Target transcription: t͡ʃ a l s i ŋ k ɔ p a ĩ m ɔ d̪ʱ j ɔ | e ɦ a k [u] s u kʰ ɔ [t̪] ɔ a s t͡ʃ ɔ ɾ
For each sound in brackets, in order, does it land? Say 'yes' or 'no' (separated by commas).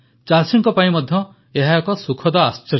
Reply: no, no